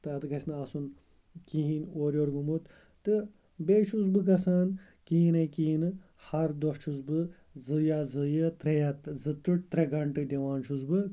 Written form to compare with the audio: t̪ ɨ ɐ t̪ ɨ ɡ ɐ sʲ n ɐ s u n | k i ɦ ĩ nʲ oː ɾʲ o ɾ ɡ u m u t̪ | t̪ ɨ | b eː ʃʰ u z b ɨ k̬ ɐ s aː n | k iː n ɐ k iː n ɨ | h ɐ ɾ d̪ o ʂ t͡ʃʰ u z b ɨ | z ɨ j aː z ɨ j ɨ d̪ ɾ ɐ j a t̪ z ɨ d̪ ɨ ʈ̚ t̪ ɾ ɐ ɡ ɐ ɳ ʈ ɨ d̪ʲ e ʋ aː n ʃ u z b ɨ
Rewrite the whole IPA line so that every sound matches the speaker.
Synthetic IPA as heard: t̪ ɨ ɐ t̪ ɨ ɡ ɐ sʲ n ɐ s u n | k i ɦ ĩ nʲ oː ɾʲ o ɾ ɡ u m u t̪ | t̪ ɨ | b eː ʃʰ u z b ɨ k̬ ɐ s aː n | k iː n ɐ k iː n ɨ | h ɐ ɾ d̪ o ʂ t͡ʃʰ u z b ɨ | z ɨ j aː z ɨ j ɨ t̪ ɾ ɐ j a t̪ z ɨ t̪ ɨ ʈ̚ t̪ ɾ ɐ ɡ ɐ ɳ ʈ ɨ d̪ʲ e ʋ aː n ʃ u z b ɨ